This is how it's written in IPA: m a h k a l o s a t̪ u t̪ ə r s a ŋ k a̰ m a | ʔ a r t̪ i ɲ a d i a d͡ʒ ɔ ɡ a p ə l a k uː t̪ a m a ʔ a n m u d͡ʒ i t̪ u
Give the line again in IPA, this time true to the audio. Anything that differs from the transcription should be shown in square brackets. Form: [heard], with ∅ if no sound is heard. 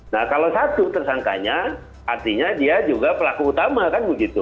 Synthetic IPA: [n] a h k a l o s a t̪ u t̪ ə r s a ŋ k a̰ [ɲ] a | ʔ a r t̪ i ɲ a d i a d͡ʒ [u] ɡ a p ə l a k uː t̪ a m a [k] a n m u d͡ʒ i t̪ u